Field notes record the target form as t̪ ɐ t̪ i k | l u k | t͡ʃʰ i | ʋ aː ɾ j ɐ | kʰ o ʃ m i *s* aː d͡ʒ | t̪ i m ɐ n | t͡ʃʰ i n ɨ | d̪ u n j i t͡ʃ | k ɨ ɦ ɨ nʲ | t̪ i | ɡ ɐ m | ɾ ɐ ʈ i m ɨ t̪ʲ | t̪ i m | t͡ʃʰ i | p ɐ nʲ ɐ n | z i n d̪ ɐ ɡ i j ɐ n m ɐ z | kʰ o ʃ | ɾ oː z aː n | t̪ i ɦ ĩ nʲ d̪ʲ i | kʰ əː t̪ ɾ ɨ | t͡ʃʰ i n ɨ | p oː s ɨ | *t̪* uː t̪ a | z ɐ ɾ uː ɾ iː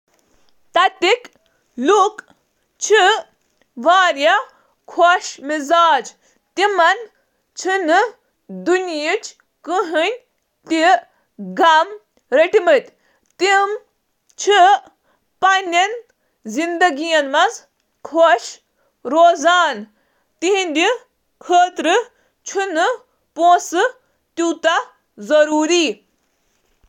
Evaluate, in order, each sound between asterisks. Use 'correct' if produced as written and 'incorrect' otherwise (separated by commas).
incorrect, correct